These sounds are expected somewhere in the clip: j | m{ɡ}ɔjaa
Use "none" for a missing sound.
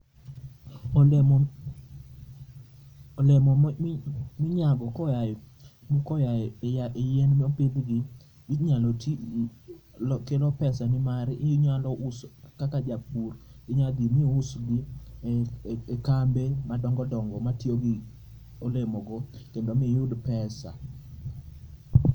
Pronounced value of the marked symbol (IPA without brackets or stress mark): k